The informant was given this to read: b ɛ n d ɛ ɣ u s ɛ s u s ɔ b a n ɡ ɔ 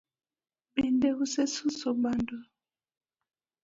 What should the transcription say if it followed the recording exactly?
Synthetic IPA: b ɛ n d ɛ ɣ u s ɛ s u s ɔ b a n d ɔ